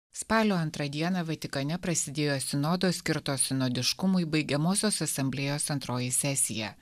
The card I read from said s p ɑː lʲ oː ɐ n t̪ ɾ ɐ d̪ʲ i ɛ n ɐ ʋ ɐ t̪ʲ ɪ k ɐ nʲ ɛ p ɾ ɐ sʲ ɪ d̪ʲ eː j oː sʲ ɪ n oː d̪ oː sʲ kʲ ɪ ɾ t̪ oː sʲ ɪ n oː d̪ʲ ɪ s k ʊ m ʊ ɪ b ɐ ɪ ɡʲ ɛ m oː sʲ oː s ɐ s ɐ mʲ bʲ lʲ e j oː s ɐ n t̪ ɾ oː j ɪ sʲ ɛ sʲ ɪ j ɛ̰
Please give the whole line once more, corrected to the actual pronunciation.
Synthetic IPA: s p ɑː lʲ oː ɐ n t̪ ɾ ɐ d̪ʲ i ɛ n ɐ ʋ ɐ t̪ʲ ɪ k ɐ nʲ ɛ p ɾ ɐ sʲ ɪ d̪ʲ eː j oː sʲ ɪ n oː d̪ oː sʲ kʲ ɪ ɾ t̪ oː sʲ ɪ n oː d̪ʲ ɪ ʃ k ʊ m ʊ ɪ b ɐ ɪ ɡʲ ɛ m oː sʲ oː s ɐ s ɐ mʲ bʲ lʲ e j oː s ɐ n t̪ ɾ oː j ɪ sʲ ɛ sʲ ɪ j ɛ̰